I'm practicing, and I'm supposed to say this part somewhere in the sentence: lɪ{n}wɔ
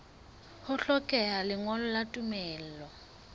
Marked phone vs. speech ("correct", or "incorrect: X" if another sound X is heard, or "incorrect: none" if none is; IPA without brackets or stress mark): incorrect: ŋ